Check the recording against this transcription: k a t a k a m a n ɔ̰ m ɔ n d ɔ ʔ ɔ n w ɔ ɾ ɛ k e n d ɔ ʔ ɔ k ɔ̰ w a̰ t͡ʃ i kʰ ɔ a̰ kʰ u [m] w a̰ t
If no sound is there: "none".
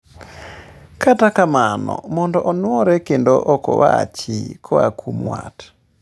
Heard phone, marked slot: m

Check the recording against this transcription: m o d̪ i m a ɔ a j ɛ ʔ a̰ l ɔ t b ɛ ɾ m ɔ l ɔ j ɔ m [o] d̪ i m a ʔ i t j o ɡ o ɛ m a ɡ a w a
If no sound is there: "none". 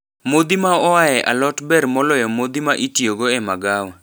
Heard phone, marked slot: o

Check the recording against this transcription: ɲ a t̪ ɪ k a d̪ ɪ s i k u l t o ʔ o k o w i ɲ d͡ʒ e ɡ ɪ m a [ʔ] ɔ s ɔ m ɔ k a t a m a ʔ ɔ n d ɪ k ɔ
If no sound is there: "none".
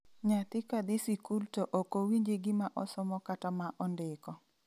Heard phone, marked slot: ʔ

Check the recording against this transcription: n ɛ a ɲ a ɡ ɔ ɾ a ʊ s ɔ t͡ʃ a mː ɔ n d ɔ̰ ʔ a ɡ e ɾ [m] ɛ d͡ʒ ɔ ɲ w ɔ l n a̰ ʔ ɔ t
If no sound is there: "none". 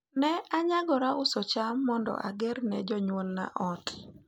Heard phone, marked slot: n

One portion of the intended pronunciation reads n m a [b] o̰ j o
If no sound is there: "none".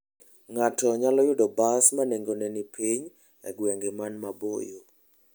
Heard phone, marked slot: b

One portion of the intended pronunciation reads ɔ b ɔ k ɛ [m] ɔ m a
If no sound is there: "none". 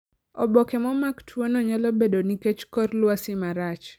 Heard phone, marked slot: m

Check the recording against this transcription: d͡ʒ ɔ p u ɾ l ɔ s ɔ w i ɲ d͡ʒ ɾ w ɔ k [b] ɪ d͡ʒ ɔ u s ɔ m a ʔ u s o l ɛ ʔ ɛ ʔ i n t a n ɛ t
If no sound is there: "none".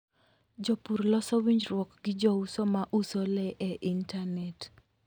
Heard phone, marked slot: ɡ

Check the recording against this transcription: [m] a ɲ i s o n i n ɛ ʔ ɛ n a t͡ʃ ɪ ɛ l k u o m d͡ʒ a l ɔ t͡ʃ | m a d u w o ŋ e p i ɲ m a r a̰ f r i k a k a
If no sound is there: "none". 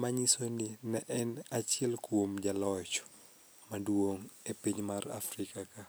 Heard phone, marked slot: m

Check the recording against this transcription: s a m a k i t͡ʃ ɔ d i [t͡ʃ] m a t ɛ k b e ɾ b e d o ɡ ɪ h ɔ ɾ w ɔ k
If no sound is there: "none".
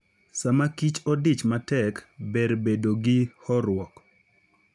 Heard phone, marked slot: t͡ʃ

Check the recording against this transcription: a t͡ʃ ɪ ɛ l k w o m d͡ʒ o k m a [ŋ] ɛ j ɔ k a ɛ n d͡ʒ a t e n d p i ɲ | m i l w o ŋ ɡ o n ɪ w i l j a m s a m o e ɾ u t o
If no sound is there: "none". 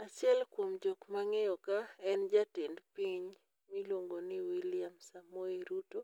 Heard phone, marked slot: ŋ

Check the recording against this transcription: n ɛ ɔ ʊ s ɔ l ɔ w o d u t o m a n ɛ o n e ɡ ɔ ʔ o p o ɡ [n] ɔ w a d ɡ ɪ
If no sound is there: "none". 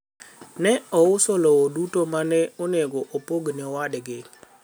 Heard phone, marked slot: n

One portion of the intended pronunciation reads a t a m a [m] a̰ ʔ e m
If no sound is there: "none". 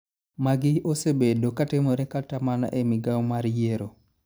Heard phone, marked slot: n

